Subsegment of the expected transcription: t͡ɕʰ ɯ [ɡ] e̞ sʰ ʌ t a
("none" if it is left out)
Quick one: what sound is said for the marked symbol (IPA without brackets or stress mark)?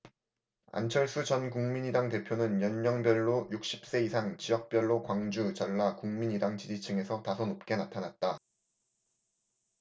ŋ